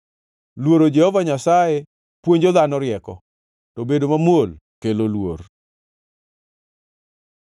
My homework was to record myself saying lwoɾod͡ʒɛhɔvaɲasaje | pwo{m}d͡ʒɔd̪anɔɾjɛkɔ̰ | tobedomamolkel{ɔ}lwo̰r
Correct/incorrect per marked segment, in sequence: incorrect: ɲ, incorrect: o

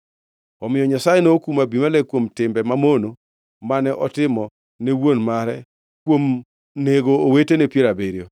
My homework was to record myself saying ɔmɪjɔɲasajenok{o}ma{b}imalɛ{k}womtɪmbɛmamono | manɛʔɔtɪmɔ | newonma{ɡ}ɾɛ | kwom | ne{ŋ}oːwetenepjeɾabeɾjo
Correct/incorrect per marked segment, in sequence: incorrect: u, correct, correct, incorrect: none, incorrect: ɡ

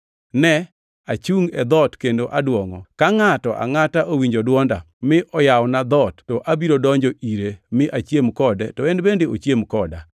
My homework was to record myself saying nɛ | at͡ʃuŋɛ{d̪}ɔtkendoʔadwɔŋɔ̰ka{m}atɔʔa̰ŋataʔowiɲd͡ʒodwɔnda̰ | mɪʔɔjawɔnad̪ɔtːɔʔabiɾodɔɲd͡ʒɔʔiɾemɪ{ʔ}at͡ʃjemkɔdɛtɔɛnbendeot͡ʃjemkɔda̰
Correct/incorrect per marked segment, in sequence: correct, incorrect: ŋ, correct

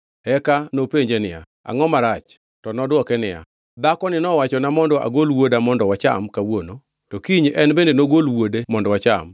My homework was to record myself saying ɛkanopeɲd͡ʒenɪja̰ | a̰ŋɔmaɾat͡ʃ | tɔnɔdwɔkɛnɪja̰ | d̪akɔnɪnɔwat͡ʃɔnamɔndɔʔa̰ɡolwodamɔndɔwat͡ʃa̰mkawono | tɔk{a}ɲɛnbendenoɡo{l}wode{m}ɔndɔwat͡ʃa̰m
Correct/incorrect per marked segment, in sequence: incorrect: i, correct, correct

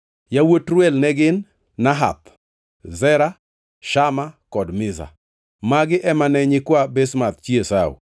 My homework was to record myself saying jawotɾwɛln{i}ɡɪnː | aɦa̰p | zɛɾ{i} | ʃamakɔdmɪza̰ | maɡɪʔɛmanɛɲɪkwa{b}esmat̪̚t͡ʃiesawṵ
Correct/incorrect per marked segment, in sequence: incorrect: ɛ, incorrect: a, correct

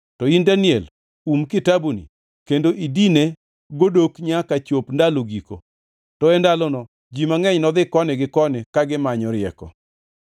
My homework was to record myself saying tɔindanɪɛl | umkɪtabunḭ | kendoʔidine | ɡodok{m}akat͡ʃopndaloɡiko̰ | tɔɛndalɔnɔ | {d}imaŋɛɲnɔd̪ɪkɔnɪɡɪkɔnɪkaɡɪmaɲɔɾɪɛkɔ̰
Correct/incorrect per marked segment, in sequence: incorrect: ɲ, incorrect: d͡ʒ

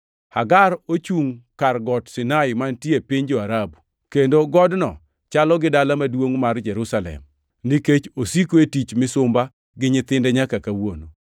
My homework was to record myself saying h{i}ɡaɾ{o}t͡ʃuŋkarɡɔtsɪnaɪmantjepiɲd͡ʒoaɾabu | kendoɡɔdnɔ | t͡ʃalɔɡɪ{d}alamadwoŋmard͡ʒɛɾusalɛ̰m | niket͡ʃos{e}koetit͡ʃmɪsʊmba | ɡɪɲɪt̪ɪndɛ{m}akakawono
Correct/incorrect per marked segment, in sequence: incorrect: a, correct, correct, incorrect: i, incorrect: ɲ

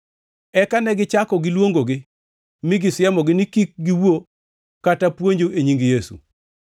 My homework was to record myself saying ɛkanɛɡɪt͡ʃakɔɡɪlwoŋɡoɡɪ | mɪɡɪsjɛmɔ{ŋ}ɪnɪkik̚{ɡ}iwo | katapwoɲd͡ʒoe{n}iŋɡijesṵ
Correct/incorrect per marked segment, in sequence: incorrect: ɡ, correct, incorrect: ɲ

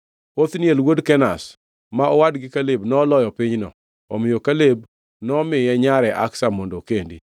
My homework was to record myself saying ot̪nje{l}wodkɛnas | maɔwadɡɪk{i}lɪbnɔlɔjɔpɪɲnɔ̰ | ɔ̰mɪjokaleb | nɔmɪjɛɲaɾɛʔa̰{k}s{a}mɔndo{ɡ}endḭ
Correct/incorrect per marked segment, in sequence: correct, incorrect: a, correct, correct, incorrect: k

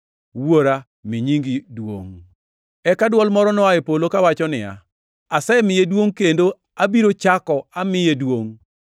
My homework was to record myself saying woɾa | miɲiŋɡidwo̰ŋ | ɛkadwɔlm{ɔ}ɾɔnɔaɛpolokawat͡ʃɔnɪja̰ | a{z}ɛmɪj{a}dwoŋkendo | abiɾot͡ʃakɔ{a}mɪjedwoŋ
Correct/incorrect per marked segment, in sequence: correct, incorrect: s, incorrect: e, correct

